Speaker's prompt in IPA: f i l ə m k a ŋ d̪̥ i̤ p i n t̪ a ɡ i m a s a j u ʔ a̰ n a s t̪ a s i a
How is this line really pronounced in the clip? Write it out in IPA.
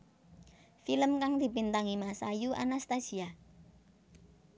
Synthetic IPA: f i l ə m k a ŋ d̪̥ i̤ p i n t̪ a ŋ i m a s a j u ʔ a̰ n a s t̪ a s i a